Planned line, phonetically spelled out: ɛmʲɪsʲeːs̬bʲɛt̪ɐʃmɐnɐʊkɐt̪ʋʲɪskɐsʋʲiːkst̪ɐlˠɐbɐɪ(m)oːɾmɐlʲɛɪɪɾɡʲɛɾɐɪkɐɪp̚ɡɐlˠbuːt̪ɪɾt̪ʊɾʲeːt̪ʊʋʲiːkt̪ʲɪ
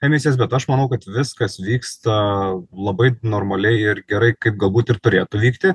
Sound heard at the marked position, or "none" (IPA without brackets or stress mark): n